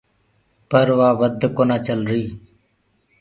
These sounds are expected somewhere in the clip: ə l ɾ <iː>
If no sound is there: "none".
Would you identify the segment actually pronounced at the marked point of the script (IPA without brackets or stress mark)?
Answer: iː